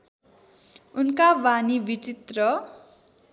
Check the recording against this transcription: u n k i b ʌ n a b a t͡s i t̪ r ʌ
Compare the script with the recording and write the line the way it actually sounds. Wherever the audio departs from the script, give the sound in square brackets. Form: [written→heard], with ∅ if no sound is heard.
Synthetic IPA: u n k [i→a] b [ʌ→a] n [a→i] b [a→i] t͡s i t̪ r ʌ